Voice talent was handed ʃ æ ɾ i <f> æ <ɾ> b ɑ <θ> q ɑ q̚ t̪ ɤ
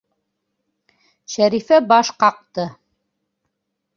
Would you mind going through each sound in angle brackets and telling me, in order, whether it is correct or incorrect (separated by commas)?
correct, incorrect, incorrect